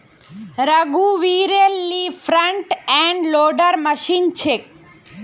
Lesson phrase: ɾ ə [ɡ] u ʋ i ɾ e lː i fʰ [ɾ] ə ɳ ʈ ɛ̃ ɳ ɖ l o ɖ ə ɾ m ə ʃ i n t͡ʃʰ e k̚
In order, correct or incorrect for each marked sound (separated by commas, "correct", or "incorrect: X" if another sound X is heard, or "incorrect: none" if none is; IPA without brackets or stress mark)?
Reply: correct, correct